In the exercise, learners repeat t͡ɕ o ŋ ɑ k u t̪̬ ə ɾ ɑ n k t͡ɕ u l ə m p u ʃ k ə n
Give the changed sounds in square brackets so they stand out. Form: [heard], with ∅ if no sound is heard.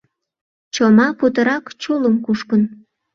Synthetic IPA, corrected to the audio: t͡ɕ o [m] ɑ [p] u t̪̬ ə ɾ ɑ [∅] k t͡ɕ u l ə m [k] u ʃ k ə n

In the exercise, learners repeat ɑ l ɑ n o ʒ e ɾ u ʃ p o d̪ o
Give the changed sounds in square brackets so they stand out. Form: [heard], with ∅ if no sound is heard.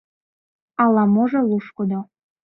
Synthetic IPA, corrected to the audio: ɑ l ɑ [m] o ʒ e [l] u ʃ [k] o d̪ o

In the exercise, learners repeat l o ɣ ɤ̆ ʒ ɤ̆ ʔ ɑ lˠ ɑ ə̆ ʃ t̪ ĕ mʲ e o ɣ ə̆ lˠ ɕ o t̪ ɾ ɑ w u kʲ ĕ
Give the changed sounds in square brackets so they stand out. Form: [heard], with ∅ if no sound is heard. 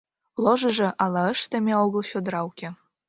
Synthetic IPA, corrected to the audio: l o [ʒ] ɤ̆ ʒ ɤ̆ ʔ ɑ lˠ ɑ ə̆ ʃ t̪ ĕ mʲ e o ɣ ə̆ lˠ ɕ o [d̪] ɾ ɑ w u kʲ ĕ

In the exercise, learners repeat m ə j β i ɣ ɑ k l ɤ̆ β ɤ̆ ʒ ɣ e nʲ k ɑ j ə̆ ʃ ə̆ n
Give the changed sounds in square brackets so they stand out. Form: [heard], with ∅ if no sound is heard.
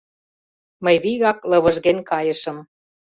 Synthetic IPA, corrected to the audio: m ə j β i ɣ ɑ k l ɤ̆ β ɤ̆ ʒ ɣ e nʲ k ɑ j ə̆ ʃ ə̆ [m]

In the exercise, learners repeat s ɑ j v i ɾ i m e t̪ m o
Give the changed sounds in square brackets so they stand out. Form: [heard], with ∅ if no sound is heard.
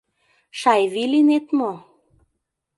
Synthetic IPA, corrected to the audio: [ʃ] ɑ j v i [l] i [n] e t̪ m o

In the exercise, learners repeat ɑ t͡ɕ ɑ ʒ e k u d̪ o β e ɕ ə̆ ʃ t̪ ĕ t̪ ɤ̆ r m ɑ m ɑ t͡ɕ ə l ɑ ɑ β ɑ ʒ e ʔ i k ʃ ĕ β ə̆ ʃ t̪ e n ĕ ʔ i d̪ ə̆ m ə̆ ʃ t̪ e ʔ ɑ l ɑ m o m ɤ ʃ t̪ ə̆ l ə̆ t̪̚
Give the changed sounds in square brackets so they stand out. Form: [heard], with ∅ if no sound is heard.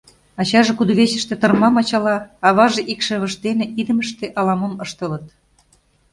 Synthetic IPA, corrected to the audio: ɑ t͡ɕ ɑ ʒ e k u d̪ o β e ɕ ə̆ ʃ t̪ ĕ t̪ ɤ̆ r m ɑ m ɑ t͡ɕ [ɑ] l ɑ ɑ β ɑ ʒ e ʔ i k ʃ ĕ β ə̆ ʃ t̪ e n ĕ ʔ i d̪ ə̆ m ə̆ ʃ t̪ e ʔ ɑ l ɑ m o m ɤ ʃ t̪ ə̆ l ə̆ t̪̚

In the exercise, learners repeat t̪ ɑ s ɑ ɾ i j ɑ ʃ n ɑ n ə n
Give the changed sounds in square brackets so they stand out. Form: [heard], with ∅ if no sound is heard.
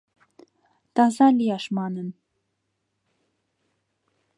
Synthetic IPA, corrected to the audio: t̪ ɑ [z] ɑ [l] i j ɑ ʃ [m] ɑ n ə n

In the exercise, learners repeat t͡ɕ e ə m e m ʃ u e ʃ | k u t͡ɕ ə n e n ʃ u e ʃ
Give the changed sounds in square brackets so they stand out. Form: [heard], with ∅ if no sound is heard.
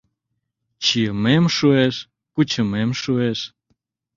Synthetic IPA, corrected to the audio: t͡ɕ [i] ə m e m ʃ u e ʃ | k u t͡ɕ ə [m] e [m] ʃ u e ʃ

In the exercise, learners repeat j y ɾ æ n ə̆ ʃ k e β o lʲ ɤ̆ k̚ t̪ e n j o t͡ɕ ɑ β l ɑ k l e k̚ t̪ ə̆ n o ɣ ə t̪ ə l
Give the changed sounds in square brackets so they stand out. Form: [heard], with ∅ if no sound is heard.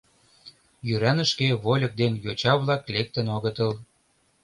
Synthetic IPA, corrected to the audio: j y ɾ æ n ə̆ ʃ k e β o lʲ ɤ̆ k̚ [d̪] e n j o t͡ɕ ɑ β l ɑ k l e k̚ t̪ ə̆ n o ɣ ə t̪ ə l

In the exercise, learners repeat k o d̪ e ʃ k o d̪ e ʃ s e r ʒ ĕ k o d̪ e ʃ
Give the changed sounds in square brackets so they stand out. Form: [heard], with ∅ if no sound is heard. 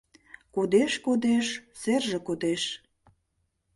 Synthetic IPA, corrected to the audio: k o d̪ e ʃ k o d̪ e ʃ s e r ʒ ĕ k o d̪ e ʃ

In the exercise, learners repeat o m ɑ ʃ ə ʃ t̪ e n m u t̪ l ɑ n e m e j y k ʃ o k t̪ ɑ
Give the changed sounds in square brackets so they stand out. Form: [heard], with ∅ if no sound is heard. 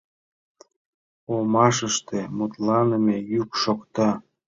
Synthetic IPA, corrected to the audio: o m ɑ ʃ ə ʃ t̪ e [∅] m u t̪ l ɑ n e m e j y k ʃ o k t̪ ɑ

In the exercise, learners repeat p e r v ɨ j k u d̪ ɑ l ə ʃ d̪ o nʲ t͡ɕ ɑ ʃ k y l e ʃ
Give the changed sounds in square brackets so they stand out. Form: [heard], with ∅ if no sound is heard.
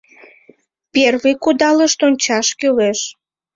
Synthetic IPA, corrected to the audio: p e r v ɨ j k u d̪ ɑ l ə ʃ [t̪] o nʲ t͡ɕ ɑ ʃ k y l e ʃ

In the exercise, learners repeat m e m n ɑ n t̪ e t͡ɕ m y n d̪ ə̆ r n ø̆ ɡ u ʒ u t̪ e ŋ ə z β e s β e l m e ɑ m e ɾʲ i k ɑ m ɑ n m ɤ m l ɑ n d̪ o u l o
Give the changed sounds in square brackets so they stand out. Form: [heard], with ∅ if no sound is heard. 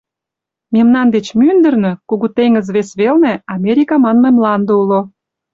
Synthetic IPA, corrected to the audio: m e m n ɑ n [d̪] e t͡ɕ m y n d̪ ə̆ r n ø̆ [k] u [ɣ] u t̪ e ŋ ə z β e s β e l [n] e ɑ m e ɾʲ i k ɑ m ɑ n m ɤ m l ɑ n d̪ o u l o

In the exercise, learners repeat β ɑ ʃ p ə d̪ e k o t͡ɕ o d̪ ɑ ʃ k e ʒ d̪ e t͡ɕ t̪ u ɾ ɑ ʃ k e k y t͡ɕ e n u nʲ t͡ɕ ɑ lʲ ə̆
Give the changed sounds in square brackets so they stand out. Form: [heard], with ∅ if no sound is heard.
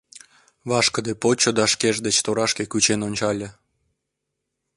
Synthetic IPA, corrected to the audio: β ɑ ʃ [k] ə d̪ e [p] o t͡ɕ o d̪ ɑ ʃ k e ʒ d̪ e t͡ɕ t̪ [o] ɾ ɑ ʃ k e k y t͡ɕ e n [o] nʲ t͡ɕ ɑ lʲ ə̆

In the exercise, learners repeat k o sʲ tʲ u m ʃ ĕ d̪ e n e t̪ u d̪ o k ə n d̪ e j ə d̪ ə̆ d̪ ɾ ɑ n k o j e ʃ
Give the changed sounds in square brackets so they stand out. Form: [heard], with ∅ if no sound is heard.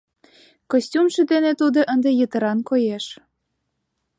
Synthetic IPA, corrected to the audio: k o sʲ tʲ u m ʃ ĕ d̪ e n e t̪ u d̪ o [ʔ] ə n d̪ e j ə [t̪] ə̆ [∅] ɾ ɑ n k o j e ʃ

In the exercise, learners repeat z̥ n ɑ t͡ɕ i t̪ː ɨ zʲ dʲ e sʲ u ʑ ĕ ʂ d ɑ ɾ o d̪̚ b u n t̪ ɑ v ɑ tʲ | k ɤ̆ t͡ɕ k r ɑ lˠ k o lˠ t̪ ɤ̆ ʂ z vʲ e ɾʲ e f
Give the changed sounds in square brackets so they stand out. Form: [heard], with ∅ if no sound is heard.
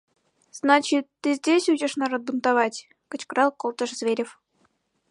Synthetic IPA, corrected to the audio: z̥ n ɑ t͡ɕ i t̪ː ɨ zʲ dʲ e sʲ u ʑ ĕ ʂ [n] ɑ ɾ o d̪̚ b u n t̪ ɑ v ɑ tʲ | k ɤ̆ t͡ɕ k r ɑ lˠ k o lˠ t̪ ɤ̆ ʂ z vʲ e ɾʲ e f

